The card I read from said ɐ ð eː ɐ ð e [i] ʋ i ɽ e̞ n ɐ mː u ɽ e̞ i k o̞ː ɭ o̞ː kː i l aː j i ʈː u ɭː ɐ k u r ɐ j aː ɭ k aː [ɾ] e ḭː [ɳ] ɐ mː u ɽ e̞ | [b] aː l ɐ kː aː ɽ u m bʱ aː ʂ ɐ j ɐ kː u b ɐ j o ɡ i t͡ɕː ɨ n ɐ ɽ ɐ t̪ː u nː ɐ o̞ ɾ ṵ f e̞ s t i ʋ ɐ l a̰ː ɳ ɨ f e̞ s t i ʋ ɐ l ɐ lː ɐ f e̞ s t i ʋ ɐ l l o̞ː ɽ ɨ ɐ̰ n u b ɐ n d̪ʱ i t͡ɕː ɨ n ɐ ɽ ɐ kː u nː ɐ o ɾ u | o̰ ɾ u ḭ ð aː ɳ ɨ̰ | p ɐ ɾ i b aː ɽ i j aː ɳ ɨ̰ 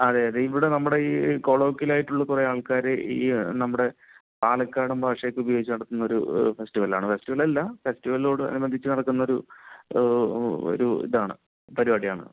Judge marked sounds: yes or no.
yes, yes, no, no

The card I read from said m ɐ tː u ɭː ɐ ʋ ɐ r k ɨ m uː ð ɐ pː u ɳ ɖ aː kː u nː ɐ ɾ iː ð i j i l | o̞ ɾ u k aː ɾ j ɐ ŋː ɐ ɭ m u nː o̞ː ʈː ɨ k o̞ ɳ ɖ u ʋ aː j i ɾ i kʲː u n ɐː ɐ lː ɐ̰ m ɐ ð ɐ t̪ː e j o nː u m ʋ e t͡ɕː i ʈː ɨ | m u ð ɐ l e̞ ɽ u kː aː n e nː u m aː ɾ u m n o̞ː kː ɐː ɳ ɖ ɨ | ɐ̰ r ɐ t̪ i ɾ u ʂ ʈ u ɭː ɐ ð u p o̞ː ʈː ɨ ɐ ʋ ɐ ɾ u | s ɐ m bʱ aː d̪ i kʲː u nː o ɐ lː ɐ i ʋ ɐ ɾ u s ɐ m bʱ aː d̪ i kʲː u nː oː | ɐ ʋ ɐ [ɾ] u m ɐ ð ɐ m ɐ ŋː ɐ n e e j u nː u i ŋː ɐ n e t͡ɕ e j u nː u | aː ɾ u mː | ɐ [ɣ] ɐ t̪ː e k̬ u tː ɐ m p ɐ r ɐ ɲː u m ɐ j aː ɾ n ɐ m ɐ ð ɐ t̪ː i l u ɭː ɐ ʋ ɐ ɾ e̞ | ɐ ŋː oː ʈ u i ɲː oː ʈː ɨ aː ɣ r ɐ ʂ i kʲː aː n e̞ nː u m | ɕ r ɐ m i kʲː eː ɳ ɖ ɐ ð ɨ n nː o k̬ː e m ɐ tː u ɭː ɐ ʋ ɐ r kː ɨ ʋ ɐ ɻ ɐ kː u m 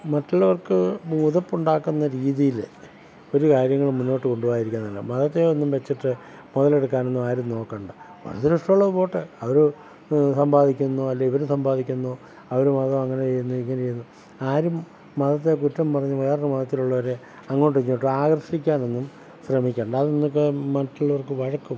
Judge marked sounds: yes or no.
yes, no

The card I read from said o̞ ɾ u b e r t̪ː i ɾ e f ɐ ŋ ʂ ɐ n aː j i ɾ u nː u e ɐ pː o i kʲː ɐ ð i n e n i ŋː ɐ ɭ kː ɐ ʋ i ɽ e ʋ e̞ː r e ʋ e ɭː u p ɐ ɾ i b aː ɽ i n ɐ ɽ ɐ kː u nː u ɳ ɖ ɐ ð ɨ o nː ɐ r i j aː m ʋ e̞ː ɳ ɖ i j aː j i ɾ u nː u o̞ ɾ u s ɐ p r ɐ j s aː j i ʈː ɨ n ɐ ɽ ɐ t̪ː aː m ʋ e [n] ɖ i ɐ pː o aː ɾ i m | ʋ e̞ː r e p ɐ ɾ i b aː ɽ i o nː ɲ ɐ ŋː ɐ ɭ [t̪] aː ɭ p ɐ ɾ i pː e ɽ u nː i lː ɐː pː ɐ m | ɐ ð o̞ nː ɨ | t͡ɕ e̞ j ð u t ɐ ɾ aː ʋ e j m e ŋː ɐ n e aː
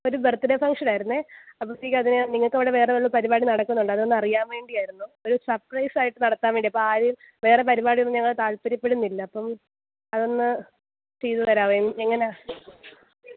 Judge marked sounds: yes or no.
no, yes

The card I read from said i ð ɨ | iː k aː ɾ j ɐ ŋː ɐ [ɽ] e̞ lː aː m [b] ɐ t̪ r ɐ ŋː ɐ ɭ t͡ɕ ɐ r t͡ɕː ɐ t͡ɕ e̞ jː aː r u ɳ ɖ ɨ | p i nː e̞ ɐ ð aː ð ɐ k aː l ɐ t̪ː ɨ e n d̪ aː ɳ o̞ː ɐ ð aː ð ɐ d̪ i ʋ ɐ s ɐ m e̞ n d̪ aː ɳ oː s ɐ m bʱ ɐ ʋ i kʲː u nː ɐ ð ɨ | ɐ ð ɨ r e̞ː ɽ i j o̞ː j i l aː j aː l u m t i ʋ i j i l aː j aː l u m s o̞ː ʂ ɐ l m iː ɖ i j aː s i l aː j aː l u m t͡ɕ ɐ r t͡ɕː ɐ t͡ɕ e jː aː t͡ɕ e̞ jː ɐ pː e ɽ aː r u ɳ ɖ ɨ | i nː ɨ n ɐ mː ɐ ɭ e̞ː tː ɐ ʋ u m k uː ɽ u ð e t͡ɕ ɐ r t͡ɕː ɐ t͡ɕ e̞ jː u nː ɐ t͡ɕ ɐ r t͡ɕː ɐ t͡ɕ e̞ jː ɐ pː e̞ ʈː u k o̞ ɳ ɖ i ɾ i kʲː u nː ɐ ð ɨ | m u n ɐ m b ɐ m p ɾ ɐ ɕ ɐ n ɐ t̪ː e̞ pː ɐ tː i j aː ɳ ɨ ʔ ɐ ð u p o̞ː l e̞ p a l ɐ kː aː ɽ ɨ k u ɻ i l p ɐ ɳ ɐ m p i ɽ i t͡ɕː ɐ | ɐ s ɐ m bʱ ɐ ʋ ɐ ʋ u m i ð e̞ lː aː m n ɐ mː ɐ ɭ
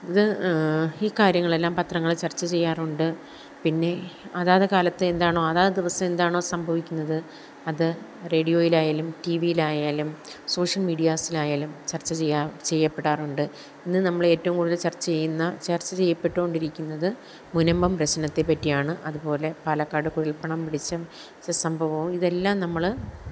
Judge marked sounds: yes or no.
no, no

